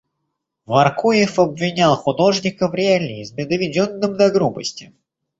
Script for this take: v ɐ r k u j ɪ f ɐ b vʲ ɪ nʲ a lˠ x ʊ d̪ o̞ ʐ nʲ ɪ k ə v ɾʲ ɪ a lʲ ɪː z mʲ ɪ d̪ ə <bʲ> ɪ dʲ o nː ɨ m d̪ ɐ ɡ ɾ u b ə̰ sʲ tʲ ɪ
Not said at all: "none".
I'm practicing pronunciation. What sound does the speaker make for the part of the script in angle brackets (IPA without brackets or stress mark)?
vʲ